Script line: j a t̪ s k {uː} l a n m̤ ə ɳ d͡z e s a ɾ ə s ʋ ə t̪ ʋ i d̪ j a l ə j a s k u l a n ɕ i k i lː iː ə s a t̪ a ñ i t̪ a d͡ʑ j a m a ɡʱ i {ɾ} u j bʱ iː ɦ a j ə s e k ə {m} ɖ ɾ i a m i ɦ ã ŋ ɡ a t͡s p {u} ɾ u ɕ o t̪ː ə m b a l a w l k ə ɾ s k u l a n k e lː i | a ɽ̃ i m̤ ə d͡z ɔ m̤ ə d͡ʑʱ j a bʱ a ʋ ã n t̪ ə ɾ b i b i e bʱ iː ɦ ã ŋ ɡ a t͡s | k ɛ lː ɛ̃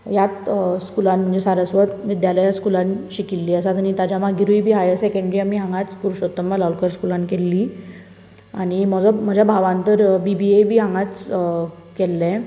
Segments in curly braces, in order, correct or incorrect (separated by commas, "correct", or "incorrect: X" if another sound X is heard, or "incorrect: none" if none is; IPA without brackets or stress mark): incorrect: u, correct, incorrect: ɳ, correct